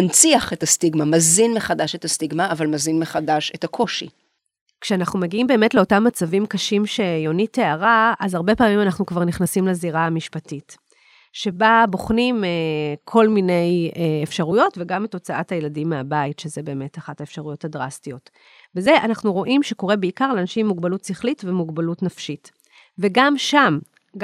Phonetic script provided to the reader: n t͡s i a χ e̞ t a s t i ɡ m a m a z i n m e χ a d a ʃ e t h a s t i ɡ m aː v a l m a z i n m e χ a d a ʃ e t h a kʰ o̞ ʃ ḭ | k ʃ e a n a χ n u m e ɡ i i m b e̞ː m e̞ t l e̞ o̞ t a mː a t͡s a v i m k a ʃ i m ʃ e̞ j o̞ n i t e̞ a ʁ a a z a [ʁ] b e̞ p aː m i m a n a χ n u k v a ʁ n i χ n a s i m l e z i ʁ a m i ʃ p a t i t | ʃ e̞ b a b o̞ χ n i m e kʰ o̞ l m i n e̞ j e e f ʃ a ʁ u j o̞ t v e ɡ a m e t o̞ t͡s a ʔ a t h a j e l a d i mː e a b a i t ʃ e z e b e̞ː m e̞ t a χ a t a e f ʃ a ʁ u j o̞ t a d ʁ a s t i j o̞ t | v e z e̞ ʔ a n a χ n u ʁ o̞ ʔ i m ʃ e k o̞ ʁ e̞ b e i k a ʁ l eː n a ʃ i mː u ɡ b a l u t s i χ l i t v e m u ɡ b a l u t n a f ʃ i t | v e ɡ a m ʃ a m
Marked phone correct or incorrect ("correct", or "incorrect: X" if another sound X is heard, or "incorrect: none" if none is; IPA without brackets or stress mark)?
correct